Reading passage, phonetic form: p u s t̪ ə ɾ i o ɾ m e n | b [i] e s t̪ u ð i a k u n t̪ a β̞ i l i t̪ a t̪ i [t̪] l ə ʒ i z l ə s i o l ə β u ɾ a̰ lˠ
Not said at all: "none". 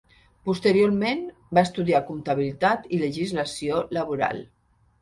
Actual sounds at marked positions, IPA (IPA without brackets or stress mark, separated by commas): a, none